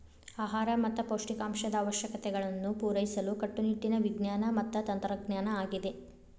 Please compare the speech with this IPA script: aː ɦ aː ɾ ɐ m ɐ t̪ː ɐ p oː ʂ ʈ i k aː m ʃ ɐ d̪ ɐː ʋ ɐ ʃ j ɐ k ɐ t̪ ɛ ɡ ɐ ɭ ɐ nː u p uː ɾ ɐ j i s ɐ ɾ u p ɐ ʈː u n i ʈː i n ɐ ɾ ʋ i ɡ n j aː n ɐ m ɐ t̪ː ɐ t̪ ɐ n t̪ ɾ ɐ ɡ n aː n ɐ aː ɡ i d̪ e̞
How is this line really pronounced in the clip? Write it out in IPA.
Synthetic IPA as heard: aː ɦ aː ɾ ɐ m ɐ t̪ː ɐ p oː ʂ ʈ i k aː m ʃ ɐ d̪ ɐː ʋ ɐ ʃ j ɐ k ɐ t̪ ɛ ɡ ɐ ɭ ɐ nː u p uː ɾ ɐ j i s ɐ l u k ɐ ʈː u n i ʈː i n ɐ ʋ i ɡ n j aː n ɐ m ɐ t̪ː ɐ t̪ ɐ n t̪ ɾ ɐ ɡ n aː n ɐ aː ɡ i d̪ e̞